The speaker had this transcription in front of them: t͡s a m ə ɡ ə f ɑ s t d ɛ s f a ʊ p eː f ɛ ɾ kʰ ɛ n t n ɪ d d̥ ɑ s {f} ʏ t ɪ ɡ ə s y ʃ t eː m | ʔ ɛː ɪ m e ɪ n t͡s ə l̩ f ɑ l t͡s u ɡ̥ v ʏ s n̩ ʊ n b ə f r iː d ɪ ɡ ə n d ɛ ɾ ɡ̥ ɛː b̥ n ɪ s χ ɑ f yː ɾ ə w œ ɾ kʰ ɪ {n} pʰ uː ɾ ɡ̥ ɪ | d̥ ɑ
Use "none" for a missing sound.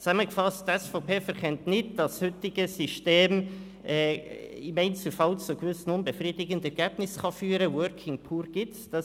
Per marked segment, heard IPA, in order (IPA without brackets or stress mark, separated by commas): h, ŋ